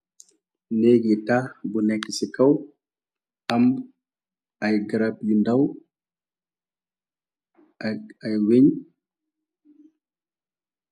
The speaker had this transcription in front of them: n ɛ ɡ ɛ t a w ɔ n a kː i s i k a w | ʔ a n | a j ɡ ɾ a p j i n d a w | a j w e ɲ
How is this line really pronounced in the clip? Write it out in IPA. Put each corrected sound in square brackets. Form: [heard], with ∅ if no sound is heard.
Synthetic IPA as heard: n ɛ ɡ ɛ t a [b] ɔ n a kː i s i k a w | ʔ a [m] | a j ɡ ɾ a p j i n d a w | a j w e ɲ